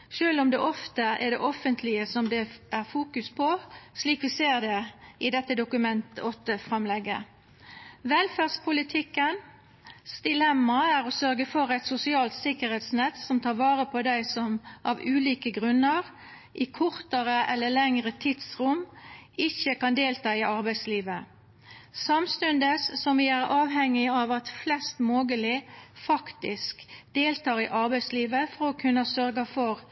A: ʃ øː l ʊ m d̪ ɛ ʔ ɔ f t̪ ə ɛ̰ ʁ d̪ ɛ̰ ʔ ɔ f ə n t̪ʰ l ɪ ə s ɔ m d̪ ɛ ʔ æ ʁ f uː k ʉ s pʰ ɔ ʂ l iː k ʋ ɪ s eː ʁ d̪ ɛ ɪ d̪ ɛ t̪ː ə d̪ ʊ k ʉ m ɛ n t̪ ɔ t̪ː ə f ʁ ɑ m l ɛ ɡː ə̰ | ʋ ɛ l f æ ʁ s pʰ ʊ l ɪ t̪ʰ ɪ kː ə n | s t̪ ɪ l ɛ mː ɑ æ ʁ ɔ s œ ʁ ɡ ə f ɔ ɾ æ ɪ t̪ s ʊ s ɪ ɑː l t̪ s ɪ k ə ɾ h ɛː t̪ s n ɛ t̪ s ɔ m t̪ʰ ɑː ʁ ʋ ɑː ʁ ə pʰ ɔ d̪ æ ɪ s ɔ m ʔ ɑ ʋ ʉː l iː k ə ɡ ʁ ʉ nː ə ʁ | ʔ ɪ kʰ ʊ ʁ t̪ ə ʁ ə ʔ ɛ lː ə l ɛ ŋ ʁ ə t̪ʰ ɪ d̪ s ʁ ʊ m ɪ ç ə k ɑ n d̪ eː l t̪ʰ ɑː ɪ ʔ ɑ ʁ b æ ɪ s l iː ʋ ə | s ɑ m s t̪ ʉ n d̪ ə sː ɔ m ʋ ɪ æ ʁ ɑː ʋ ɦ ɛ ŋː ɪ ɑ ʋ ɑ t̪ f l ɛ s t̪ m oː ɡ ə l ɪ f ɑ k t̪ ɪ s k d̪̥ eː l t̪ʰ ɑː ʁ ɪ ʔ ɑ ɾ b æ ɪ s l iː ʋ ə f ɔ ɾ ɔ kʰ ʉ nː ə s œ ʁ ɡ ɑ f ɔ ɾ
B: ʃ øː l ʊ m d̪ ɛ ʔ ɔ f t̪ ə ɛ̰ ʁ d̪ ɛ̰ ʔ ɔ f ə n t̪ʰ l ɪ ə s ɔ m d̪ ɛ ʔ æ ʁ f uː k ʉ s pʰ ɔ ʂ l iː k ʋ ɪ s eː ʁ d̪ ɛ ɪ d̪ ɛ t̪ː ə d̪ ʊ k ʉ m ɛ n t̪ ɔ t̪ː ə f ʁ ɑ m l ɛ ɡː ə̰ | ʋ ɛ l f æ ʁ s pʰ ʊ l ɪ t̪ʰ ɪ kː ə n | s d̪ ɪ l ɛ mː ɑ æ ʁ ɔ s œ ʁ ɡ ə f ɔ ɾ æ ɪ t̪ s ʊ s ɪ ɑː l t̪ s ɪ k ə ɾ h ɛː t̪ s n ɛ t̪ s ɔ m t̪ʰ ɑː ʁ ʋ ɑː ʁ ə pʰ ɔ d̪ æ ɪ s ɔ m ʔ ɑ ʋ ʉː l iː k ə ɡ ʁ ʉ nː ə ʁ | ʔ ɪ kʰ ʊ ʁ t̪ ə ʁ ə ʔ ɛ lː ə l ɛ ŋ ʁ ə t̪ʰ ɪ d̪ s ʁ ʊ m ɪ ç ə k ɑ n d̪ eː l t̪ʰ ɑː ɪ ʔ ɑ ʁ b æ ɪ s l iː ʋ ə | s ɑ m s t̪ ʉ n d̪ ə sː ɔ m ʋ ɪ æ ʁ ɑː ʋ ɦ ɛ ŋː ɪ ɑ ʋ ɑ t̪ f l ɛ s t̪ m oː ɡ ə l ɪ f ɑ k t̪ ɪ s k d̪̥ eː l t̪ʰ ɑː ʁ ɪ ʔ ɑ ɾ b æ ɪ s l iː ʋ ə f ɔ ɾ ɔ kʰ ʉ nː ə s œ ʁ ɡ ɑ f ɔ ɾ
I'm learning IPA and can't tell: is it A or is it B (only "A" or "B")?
B